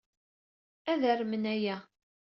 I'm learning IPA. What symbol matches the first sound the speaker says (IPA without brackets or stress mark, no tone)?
æ